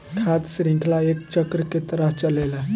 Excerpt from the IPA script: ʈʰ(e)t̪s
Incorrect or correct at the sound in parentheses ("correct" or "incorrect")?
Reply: incorrect